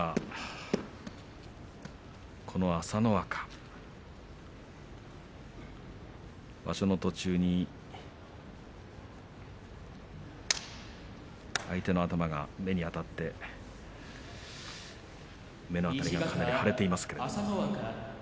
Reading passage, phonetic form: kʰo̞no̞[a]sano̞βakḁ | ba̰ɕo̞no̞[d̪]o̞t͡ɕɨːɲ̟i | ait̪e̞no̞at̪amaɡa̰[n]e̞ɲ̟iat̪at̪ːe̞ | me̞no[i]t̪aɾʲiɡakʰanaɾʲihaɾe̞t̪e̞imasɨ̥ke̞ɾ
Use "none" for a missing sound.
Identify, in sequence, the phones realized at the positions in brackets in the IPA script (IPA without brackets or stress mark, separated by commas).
a, t̪, m, a